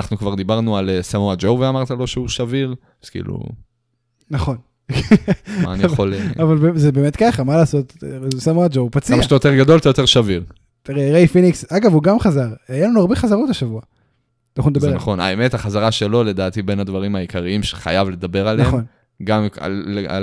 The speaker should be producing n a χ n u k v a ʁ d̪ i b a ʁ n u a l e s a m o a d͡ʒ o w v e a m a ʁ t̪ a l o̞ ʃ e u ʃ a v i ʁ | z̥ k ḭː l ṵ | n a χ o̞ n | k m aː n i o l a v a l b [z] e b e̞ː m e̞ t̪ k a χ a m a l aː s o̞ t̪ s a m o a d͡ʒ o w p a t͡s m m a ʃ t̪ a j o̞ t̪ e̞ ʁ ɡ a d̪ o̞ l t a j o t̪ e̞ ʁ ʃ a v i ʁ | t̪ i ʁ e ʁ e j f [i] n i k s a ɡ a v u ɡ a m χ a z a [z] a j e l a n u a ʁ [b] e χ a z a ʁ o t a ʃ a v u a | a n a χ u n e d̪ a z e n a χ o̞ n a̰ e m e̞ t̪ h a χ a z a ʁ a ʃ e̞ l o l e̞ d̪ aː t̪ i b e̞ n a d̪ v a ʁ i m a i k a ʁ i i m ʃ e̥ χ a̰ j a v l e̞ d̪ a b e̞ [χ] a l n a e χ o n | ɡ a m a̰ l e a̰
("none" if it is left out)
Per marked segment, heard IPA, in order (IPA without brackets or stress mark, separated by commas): z, i, ʁ, b, ʁ